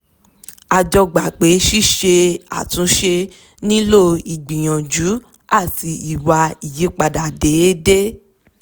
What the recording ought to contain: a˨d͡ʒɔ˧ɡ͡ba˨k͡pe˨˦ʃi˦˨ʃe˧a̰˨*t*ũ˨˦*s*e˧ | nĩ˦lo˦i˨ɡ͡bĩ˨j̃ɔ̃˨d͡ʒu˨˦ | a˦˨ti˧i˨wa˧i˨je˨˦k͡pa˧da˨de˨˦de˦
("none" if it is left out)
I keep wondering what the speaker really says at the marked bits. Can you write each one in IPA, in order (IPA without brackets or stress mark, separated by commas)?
t, ʃ